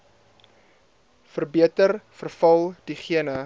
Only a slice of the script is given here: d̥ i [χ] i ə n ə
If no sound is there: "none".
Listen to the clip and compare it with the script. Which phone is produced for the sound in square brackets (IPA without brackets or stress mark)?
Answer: χ